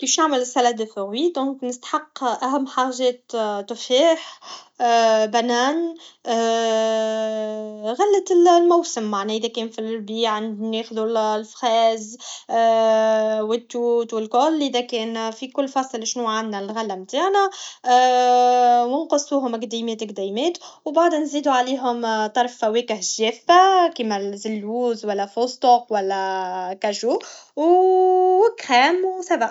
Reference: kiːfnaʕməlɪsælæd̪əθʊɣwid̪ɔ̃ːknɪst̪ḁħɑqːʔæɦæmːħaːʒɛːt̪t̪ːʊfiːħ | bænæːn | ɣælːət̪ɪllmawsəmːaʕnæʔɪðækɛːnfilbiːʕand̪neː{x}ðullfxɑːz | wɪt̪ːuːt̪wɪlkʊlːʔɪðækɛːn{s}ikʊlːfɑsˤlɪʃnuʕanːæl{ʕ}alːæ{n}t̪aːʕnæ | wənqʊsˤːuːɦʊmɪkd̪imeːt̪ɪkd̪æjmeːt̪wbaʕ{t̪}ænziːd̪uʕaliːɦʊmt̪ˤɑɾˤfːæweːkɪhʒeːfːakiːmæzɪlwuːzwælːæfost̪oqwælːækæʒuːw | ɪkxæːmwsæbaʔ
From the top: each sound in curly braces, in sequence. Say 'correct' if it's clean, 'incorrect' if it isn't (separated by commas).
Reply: correct, incorrect, incorrect, incorrect, incorrect